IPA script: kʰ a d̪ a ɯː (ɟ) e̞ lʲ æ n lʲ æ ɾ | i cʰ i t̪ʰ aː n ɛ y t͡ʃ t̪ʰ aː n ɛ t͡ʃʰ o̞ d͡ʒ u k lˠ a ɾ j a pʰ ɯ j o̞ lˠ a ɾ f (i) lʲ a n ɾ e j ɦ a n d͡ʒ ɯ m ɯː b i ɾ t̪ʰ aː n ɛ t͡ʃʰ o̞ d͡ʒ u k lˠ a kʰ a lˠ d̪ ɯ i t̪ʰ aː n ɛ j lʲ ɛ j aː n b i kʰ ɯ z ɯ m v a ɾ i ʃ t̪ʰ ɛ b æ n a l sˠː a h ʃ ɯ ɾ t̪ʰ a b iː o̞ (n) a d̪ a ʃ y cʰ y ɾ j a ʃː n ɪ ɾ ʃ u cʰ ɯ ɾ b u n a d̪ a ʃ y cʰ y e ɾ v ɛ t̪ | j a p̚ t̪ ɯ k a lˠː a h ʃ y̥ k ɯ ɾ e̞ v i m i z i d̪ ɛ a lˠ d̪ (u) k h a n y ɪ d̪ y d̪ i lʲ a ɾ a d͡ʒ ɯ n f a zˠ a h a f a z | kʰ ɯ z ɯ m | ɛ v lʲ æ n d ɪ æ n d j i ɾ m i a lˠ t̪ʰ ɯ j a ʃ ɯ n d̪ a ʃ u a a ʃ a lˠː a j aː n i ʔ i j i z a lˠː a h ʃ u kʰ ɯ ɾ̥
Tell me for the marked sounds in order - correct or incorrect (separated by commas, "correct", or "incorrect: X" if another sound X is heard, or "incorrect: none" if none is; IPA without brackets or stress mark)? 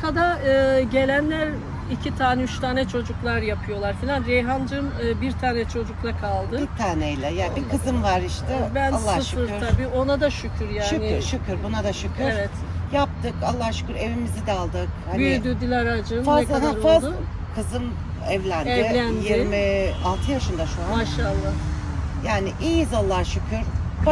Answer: correct, correct, correct, incorrect: ɯ